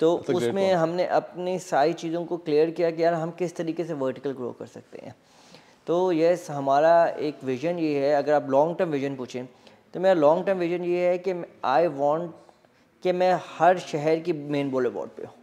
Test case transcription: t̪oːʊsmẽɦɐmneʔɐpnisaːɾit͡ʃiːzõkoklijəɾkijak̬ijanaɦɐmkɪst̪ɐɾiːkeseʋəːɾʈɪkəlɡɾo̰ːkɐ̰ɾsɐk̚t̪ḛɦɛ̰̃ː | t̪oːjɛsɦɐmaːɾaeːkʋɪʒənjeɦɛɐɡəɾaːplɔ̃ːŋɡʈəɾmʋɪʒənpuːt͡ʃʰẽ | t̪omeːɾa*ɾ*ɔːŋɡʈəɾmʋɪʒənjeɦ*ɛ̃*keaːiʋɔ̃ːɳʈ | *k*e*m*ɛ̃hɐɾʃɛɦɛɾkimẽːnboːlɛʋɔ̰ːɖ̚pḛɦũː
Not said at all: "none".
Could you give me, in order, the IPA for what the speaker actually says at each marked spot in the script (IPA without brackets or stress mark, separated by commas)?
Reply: l, ɛ, k, m